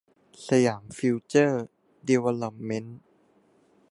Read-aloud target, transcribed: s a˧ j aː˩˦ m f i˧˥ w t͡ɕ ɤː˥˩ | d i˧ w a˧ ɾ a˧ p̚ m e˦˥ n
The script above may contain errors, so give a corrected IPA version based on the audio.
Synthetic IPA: s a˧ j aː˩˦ m f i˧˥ w t͡ɕ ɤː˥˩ | d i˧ w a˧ l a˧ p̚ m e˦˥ n